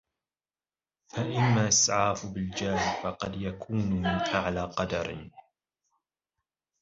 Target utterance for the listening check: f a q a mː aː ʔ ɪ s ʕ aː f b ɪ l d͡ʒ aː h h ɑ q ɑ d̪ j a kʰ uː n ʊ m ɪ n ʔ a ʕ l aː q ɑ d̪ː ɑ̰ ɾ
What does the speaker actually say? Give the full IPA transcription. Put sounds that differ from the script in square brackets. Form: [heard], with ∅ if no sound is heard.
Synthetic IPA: f a [ʔ] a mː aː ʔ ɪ s ʕ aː f b ɪ l d͡ʒ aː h [f] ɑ q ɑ d̪ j a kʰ uː n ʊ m ɪ n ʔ a ʕ l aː q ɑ [d̪] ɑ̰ ɾ